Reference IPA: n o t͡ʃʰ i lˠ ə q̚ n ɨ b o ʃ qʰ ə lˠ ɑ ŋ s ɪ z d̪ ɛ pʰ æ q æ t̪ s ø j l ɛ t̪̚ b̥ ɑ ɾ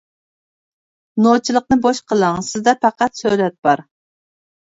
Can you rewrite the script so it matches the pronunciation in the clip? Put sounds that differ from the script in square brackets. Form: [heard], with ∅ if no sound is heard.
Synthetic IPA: n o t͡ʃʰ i lˠ ə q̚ n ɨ b o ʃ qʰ ə lˠ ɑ ŋ s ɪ z d̪ ɛ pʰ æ q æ t̪ s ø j l ɛ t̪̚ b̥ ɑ ɾ